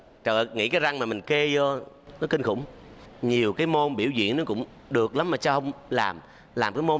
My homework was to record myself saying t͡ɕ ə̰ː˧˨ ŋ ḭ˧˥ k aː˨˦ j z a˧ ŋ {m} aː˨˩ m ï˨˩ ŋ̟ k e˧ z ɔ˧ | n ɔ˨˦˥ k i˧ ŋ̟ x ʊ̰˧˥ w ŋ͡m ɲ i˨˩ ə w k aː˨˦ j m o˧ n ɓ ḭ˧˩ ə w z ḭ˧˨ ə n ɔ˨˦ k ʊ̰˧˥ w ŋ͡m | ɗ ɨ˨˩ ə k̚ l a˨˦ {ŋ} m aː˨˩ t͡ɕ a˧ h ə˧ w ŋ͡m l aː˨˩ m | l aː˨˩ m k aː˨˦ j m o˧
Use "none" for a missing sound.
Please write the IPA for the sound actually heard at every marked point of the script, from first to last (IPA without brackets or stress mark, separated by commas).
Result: m, m